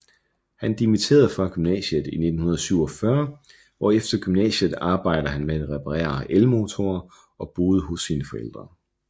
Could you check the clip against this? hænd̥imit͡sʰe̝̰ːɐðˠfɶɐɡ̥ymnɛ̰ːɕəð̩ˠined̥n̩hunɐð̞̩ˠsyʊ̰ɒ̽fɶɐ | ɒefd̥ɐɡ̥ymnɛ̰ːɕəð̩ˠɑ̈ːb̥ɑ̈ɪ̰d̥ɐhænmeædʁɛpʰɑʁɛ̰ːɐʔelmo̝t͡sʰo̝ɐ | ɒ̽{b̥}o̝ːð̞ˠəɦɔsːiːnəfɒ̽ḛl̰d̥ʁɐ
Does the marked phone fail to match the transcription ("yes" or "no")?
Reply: no